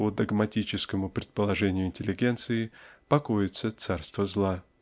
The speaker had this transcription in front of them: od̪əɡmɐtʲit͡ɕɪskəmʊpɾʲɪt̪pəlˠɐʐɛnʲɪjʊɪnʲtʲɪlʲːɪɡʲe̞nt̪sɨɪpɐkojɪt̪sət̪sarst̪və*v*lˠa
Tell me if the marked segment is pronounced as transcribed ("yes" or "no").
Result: no